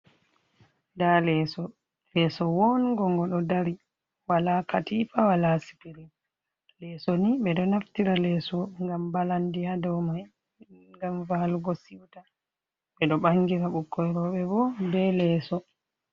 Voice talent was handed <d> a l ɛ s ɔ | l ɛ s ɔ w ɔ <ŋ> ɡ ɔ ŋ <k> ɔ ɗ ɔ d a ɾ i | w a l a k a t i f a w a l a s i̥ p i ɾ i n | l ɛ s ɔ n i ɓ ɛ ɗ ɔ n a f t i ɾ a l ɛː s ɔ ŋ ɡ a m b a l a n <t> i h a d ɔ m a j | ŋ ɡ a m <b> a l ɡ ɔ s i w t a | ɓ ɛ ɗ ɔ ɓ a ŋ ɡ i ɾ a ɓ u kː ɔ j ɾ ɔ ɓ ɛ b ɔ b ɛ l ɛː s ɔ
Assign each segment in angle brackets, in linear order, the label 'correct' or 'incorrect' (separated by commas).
correct, incorrect, incorrect, incorrect, incorrect